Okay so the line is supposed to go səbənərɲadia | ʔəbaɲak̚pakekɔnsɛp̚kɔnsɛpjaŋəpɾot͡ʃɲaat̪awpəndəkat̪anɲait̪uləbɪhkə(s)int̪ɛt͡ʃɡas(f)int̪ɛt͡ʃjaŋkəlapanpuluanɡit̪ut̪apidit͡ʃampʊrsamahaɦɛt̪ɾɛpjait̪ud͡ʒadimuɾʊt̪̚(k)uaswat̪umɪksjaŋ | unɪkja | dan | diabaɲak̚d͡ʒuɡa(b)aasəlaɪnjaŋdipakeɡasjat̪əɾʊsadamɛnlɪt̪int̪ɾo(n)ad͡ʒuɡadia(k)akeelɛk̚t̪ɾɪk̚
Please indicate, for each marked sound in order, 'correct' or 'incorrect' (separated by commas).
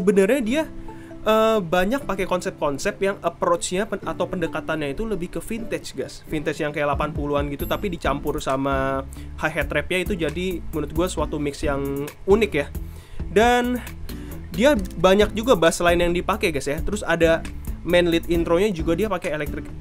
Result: incorrect, correct, incorrect, correct, incorrect, incorrect